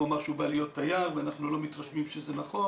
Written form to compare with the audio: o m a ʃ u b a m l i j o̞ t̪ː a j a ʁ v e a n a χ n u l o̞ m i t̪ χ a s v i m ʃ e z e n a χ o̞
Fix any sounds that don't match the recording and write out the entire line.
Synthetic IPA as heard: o m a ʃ u b a l i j o̞ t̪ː a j a ʁ v e a n a χ n u l o̞ m i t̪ ʁ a ʃ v i m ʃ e z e n a χ o̞